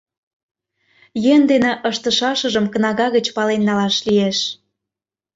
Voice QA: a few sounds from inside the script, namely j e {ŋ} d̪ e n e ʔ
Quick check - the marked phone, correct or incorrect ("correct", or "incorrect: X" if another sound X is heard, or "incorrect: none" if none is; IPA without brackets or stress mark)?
incorrect: n